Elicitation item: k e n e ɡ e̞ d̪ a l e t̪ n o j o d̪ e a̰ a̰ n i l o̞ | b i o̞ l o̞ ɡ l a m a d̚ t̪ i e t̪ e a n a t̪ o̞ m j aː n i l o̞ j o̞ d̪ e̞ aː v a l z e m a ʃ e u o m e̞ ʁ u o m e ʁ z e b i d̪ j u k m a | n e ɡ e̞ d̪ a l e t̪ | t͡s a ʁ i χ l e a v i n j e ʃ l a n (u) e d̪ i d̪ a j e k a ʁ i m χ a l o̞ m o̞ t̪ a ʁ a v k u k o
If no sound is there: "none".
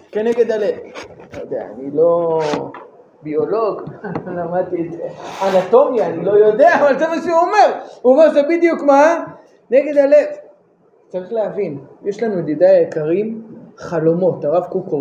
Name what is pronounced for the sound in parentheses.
u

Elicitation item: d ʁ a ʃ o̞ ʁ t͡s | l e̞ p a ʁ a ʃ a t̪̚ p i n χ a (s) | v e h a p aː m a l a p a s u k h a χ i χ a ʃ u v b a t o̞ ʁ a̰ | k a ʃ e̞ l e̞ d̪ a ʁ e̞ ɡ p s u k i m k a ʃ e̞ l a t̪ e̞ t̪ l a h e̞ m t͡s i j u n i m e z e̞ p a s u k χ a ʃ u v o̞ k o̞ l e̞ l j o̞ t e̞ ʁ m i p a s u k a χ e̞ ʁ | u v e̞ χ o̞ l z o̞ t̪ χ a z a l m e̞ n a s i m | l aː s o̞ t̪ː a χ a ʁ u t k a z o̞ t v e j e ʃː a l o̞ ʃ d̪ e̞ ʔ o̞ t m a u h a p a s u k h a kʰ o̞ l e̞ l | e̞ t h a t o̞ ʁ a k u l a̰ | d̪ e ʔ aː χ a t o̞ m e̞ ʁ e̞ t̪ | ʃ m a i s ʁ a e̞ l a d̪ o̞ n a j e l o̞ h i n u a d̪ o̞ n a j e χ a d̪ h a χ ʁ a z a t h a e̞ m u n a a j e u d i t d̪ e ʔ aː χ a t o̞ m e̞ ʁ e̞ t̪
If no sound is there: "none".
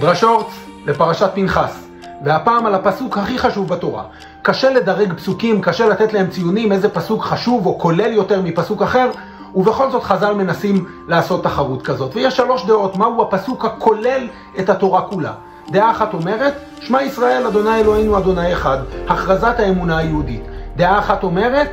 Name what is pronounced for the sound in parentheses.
s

